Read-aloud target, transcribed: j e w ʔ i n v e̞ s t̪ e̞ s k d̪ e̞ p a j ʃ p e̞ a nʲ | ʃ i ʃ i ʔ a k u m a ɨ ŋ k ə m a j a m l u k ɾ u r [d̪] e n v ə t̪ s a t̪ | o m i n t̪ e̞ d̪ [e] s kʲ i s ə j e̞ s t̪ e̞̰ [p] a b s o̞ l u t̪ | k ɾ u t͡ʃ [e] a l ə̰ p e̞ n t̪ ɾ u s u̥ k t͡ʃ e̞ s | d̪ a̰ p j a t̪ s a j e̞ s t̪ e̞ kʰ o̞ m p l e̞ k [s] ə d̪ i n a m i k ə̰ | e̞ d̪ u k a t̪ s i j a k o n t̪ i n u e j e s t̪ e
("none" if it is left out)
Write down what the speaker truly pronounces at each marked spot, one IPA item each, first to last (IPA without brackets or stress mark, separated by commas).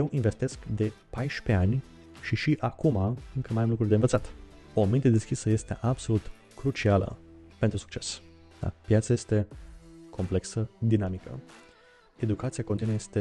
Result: d̪, e, ʔ, i, s